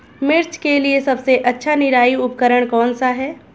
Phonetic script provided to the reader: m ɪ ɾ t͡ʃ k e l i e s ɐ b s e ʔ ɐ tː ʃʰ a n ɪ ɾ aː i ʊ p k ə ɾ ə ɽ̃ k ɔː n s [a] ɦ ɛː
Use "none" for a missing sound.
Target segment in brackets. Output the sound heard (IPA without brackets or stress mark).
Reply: a